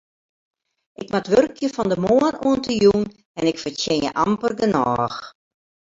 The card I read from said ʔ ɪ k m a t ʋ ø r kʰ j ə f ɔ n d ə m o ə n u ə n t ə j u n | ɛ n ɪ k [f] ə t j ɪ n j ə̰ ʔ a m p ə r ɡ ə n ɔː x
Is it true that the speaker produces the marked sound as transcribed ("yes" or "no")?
yes